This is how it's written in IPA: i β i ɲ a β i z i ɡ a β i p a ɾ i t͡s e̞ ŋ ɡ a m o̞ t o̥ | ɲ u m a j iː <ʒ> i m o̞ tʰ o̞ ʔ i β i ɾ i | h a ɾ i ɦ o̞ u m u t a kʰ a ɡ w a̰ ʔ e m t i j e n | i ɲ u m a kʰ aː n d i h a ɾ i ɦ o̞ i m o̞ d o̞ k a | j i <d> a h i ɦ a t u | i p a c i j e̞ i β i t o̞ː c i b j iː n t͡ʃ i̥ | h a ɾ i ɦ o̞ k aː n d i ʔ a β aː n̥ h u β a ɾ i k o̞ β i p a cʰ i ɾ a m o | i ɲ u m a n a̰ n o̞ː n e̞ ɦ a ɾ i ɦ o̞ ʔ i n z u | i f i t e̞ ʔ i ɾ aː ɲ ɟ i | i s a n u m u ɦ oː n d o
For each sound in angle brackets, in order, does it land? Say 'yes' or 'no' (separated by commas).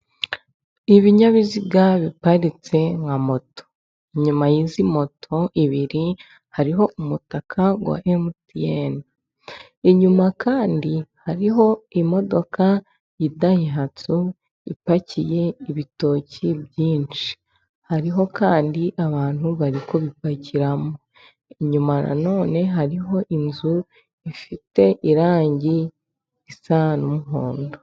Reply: no, yes